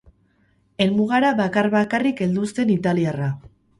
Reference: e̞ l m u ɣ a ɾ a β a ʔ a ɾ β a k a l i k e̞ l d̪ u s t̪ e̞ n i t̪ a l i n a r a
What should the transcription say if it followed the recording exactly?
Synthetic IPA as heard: e̞ l m u ɣ a ɾ a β a k a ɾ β a k a r i k e̞ l d̪ u s t̪ e̞ n i t̪ a l i a r a